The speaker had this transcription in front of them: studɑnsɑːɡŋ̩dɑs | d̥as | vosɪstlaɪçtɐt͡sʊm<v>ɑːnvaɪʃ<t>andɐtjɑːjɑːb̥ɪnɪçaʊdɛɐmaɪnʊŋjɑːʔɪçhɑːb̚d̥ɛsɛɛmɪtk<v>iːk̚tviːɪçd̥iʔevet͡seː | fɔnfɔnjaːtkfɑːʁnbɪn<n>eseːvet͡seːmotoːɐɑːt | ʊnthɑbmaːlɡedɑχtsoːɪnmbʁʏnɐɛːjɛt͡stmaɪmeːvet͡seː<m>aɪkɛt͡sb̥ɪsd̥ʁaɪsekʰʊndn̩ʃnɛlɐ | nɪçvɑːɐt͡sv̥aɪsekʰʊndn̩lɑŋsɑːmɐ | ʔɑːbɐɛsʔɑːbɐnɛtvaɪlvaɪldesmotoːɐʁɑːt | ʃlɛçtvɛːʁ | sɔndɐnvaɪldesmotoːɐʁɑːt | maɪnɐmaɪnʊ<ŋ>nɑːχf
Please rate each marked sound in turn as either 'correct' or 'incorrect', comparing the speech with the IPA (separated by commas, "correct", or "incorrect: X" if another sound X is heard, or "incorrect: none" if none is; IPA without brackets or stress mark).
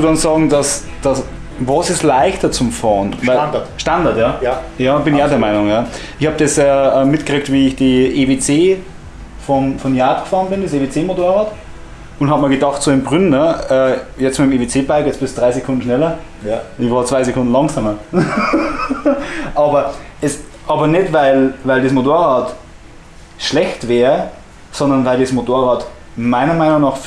incorrect: f, correct, incorrect: ʁ, incorrect: d, incorrect: b, correct